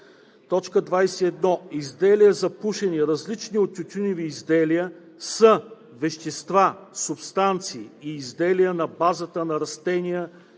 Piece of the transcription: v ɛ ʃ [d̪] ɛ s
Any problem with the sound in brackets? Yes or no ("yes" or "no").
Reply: yes